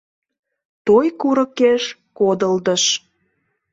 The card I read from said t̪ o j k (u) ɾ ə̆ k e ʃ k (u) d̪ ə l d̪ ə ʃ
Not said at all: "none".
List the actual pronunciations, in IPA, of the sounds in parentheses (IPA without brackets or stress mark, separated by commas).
u, o